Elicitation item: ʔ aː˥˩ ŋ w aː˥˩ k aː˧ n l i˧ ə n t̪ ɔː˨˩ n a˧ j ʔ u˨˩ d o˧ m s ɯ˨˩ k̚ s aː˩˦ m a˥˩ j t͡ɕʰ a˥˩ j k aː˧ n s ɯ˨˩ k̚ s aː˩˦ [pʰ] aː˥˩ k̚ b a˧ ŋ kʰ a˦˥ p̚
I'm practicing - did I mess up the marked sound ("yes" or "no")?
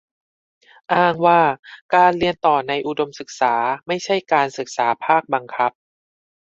no